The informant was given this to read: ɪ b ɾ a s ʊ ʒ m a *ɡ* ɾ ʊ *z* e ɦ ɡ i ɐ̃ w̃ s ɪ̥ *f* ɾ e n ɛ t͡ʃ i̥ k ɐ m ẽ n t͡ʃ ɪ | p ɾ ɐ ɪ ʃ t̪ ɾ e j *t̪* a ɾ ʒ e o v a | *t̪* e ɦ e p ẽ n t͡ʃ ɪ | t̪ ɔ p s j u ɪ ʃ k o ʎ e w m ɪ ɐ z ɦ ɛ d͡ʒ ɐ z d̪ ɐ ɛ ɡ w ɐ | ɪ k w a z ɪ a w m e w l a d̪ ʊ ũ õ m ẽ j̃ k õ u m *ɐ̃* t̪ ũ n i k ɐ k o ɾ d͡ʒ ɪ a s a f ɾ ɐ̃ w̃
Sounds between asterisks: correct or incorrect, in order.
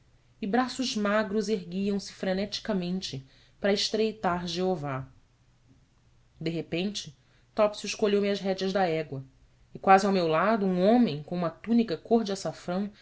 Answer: correct, correct, correct, correct, incorrect, incorrect

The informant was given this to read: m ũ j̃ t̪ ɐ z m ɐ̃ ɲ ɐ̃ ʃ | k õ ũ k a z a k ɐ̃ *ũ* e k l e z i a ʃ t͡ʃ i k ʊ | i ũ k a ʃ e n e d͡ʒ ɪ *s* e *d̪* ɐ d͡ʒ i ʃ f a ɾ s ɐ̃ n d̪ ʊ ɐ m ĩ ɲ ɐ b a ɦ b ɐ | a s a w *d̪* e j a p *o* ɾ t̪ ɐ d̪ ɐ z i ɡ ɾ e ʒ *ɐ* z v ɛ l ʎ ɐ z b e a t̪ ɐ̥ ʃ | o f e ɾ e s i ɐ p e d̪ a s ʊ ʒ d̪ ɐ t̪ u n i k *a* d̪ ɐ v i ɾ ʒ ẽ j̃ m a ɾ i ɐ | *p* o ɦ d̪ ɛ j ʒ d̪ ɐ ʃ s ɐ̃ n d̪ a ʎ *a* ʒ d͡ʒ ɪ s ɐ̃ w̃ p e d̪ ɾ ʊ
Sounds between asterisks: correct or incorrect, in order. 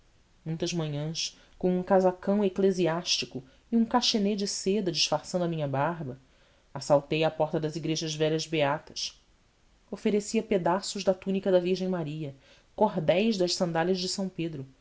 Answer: incorrect, correct, correct, incorrect, incorrect, correct, incorrect, incorrect, incorrect

